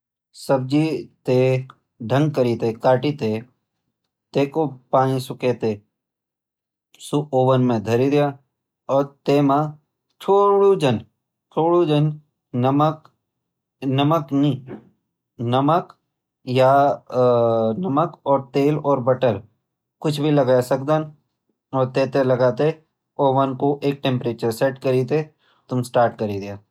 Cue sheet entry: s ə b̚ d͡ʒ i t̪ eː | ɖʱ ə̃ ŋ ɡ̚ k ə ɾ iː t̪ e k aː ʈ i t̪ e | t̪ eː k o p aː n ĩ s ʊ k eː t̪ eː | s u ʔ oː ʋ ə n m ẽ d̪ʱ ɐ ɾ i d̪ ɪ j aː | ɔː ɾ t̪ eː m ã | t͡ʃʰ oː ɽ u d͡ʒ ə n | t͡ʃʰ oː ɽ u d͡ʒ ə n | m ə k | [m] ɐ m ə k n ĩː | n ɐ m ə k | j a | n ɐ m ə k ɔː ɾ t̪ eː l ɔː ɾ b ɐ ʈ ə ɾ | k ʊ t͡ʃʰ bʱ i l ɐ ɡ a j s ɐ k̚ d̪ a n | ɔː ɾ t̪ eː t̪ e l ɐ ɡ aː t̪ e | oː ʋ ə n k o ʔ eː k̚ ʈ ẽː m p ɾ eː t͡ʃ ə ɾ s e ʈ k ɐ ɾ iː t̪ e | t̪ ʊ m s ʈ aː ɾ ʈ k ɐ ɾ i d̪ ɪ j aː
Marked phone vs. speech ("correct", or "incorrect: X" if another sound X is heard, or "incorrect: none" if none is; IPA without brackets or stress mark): incorrect: n